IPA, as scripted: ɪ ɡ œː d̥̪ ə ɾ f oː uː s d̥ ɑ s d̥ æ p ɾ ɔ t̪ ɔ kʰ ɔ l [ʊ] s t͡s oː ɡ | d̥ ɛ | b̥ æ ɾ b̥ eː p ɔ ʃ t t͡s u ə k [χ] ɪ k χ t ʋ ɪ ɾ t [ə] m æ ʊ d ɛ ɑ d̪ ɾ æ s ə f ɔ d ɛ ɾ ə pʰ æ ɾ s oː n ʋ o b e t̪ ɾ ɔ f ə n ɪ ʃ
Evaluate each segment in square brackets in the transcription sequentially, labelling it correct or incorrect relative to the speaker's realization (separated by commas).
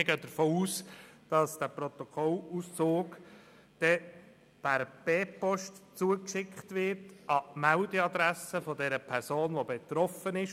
incorrect, incorrect, incorrect